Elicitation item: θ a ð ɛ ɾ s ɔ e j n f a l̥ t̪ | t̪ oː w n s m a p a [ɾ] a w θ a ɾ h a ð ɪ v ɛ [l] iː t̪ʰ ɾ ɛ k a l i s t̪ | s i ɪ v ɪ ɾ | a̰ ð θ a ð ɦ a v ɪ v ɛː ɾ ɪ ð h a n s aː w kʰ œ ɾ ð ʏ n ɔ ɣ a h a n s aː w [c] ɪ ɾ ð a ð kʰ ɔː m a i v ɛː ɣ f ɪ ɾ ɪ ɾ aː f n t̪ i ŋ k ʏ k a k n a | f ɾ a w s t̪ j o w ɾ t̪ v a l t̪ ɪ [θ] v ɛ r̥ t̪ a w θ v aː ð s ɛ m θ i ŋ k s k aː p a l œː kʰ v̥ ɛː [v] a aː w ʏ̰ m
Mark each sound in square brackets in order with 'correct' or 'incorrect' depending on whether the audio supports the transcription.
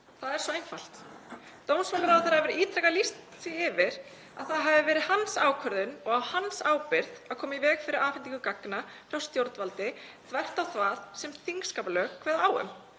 correct, incorrect: ɾ, incorrect: p, correct, incorrect: ð

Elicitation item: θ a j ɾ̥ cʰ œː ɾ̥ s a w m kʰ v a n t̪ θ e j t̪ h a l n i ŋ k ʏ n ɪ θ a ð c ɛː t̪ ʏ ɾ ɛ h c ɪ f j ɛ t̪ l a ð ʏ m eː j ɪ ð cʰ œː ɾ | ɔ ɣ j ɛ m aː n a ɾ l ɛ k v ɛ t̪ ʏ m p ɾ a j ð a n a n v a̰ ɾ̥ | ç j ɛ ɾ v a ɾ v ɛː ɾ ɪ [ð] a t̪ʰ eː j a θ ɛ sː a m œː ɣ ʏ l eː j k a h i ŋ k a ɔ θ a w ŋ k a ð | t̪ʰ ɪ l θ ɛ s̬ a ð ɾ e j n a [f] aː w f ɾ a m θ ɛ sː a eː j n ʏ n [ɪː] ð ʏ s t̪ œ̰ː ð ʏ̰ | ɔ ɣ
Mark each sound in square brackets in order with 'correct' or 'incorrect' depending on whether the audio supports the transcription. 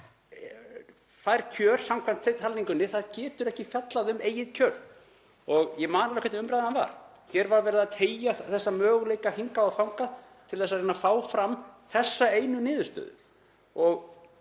correct, correct, correct

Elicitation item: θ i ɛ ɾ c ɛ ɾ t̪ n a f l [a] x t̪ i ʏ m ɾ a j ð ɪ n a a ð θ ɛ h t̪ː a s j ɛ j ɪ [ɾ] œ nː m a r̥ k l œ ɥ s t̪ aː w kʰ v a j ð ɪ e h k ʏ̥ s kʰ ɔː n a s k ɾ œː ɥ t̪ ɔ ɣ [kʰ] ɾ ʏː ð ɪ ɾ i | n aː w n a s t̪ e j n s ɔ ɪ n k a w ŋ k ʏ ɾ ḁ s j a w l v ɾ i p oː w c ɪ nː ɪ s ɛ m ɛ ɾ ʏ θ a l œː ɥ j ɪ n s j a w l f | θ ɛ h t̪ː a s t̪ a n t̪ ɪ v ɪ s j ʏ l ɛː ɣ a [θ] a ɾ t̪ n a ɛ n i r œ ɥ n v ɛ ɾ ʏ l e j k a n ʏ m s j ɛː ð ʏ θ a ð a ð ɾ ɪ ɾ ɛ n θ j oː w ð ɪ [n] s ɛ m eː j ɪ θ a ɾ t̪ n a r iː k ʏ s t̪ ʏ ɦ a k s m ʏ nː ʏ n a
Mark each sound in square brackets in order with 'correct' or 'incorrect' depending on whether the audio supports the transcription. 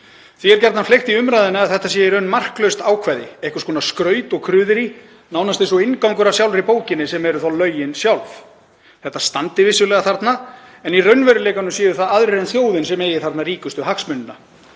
incorrect: e, correct, correct, correct, correct

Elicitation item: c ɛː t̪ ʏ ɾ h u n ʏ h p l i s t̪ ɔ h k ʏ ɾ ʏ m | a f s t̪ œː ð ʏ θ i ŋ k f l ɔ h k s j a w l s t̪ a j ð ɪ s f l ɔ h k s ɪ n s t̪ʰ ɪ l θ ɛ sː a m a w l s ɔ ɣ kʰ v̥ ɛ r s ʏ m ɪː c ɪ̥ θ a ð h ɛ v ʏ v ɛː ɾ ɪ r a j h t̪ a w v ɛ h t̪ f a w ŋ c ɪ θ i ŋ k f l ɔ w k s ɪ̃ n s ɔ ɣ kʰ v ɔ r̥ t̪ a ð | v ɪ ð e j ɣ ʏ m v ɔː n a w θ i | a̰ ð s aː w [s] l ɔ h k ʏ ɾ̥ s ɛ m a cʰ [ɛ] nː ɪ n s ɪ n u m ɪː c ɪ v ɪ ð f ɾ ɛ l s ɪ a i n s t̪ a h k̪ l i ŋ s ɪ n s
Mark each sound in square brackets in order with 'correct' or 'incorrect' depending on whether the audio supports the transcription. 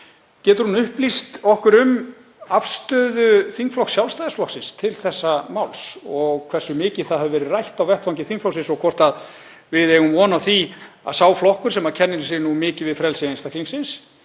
incorrect: f, correct

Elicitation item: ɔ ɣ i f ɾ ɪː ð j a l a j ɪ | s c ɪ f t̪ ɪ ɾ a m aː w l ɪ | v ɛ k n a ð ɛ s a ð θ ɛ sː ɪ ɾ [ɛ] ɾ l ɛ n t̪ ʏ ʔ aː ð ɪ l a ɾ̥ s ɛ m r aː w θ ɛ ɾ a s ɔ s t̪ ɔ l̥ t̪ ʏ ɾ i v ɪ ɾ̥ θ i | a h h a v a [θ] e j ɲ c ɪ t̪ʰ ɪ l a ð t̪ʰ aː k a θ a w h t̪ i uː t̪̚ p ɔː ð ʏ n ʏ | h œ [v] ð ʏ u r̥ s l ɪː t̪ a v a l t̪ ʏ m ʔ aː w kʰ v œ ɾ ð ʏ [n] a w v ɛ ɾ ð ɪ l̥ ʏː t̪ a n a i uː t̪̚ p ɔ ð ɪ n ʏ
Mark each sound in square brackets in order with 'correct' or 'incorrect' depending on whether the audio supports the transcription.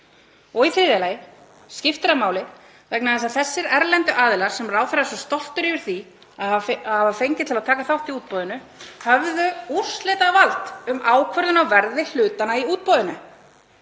correct, incorrect: f, correct, correct

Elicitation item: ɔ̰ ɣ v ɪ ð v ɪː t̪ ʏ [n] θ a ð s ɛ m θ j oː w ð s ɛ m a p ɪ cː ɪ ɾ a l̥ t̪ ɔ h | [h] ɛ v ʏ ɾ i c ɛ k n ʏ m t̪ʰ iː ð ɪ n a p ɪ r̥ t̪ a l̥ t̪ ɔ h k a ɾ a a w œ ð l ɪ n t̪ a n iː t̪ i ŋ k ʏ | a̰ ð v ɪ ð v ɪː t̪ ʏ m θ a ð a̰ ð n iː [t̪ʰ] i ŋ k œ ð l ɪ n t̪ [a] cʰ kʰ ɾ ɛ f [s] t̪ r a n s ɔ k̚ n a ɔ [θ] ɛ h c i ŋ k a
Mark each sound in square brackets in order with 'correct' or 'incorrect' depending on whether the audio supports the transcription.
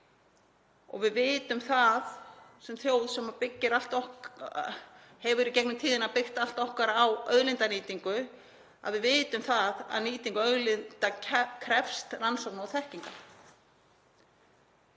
incorrect: m, correct, incorrect: t̪, correct, correct, correct

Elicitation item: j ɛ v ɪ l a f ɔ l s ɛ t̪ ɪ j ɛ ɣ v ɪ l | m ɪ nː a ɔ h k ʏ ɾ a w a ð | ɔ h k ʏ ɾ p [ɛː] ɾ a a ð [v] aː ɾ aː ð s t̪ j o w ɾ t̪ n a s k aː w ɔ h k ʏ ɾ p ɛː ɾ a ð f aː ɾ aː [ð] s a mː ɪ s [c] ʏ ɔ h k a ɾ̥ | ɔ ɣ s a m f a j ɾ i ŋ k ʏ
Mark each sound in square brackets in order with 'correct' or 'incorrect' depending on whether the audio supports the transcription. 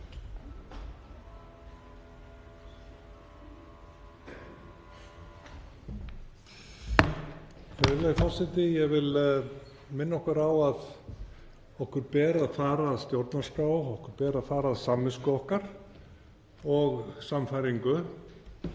correct, incorrect: f, correct, incorrect: k

